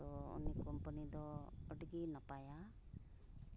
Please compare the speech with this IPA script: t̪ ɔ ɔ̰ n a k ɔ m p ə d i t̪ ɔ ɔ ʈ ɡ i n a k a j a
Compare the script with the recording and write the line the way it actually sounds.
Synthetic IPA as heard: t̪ ɔ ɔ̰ n i k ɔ m p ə n i d̪ ɔ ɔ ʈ ɡ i n a p a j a